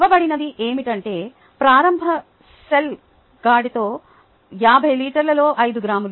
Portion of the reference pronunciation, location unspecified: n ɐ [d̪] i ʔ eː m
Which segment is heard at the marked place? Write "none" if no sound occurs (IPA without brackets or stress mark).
d̪